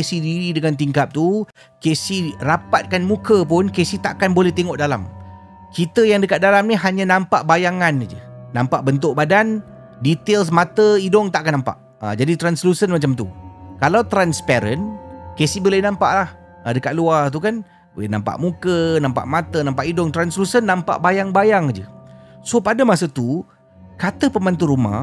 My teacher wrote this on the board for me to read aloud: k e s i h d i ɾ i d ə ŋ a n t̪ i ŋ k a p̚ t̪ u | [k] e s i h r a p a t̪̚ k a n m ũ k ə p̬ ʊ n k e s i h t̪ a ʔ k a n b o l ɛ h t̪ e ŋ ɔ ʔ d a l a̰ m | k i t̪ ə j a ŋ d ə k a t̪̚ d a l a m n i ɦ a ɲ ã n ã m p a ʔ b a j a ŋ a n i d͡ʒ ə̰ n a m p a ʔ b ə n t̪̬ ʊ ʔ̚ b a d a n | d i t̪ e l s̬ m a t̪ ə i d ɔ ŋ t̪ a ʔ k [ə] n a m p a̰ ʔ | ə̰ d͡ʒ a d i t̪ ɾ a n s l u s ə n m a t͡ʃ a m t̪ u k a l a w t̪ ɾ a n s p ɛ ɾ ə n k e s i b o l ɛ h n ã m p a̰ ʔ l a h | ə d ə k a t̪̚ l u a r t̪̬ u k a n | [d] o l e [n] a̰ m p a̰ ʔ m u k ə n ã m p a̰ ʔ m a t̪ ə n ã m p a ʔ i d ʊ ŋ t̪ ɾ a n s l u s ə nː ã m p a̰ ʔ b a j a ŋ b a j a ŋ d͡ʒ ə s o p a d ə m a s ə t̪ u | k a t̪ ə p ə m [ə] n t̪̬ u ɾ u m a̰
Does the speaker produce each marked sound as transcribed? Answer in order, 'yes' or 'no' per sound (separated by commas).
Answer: yes, no, no, yes, no